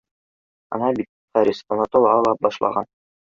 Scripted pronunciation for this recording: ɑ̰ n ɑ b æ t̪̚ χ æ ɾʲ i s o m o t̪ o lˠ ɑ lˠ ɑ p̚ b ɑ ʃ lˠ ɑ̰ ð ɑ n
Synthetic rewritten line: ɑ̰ n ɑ b i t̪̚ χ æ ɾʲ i s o n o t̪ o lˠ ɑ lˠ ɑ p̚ b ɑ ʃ lˠ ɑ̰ ʁ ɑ n

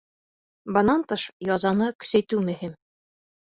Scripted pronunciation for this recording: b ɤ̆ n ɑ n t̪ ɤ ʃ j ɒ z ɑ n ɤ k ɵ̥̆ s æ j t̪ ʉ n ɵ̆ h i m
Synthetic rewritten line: b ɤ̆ n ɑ n t̪ ɤ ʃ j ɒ z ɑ n ɤ k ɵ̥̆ s æ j t̪ ʉ m ɵ̆ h i m

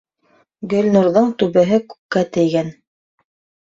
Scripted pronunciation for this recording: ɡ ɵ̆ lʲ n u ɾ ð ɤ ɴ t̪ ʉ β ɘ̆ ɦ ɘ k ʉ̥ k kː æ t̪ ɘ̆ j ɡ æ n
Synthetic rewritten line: ɡ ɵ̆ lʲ n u ɾ ð ɤ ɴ t̪ ʉ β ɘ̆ ɦ ɘ k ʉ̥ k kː æ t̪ ɘ̆ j ɡ æ n

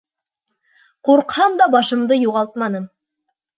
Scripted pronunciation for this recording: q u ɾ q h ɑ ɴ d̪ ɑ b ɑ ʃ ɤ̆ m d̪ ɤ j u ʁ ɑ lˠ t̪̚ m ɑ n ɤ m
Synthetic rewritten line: q u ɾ q h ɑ m d̪ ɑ b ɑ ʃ ɤ̆ m d̪ ɤ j u ʁ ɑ lˠ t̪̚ m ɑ n ɤ m

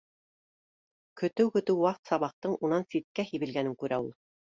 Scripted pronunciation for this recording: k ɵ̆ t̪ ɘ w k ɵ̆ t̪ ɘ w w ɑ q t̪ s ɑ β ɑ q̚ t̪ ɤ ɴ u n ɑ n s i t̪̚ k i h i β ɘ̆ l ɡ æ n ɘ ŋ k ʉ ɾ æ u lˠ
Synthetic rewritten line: k ɵ̆ t̪ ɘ w k ɵ̆ t̪ ɘ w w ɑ q t̪ s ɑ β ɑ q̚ t̪ ɤ ɴ u n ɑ n s i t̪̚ k æ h i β ɘ̆ l ɡ æ n ɘ ŋ k ʉ ɾ æ u lˠ

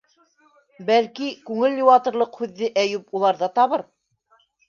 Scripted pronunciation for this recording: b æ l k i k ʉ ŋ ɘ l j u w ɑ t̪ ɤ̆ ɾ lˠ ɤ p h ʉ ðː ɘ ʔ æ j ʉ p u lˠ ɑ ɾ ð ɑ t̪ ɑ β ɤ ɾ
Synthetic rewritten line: b æ l k i k ʉ ŋ ɘ l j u w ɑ t̪ ɤ̆ ɾ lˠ ɤ q h ʉ ðː ɘ ʔ æ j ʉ p u lˠ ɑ ɾ ð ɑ t̪ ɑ β ɤ ɾ

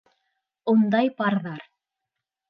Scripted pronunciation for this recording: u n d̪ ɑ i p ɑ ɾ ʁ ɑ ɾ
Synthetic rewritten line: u n d̪ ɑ j p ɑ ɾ ð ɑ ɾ

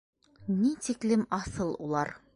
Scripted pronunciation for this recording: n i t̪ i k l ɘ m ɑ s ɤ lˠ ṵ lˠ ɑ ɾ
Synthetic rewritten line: n i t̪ i k l ɘ m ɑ s ɤ lˠ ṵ lˠ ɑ ɾ

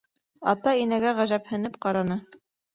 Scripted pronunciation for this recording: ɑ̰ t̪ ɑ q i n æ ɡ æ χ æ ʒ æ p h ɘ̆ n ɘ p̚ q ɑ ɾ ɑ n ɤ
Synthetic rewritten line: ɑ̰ t̪ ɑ i n æ ɡ æ ʁ æ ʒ æ p h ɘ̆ n ɘ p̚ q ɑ ɾ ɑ n ɤ

